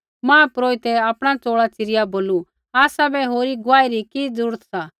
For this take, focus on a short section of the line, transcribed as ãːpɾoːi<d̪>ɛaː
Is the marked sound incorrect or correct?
incorrect